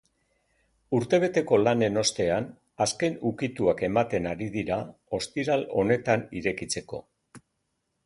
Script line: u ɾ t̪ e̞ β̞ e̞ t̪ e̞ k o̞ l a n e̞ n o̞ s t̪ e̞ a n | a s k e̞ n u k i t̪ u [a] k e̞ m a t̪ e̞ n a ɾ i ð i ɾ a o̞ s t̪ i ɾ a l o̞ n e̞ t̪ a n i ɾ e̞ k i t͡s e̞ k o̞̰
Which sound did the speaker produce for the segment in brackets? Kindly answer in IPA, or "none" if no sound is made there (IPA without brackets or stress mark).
a